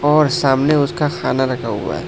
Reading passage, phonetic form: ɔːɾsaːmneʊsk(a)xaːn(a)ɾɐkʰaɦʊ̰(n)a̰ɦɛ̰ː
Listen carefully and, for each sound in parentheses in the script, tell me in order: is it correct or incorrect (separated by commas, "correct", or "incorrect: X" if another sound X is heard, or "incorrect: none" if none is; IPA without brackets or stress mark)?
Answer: correct, correct, incorrect: none